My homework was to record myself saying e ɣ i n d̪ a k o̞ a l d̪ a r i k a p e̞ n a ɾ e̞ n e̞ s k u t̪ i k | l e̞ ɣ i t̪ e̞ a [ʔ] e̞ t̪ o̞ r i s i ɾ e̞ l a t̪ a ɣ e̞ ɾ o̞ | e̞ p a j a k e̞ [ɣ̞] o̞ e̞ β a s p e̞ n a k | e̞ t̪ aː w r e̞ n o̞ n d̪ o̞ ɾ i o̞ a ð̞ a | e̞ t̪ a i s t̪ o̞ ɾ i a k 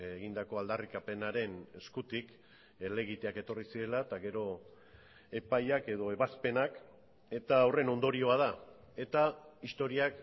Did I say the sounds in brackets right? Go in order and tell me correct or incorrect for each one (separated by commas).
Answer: incorrect, incorrect